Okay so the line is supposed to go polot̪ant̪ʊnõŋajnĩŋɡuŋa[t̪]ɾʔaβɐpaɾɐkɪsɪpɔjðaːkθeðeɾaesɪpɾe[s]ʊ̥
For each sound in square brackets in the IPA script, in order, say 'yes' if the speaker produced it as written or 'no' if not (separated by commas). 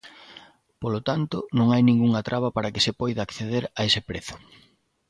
yes, no